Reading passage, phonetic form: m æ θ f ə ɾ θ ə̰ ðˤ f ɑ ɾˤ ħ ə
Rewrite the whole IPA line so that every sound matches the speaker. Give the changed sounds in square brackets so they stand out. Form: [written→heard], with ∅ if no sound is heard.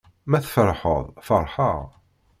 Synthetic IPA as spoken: m æ θ f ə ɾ [θ→ħ] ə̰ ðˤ f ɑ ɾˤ ħ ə